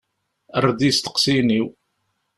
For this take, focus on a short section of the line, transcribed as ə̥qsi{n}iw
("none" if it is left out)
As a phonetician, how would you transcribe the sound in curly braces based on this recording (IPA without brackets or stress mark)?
n